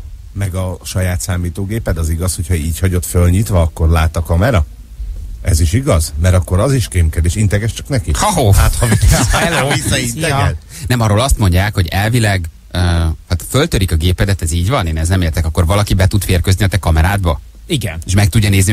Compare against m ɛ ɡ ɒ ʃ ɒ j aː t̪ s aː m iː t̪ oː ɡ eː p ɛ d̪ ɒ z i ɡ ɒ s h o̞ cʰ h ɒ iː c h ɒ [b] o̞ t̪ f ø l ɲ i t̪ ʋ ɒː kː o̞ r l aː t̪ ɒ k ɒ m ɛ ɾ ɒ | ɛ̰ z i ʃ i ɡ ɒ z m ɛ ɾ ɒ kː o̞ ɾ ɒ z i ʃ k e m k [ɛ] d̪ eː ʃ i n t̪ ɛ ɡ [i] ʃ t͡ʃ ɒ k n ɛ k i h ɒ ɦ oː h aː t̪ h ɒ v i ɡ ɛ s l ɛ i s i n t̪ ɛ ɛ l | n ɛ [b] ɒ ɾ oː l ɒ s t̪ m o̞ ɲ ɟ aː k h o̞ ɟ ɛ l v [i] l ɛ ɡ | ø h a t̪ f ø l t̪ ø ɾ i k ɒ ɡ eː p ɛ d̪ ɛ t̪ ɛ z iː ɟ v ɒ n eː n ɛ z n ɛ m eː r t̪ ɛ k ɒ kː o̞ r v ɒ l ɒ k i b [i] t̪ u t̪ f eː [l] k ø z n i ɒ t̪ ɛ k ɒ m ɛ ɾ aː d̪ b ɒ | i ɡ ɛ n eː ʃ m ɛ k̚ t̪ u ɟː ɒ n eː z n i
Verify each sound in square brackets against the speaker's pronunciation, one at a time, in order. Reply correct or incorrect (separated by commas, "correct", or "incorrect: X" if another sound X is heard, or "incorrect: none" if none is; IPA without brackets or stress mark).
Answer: incorrect: ɟ, correct, incorrect: ɛ, incorrect: m, correct, incorrect: ɛ, incorrect: r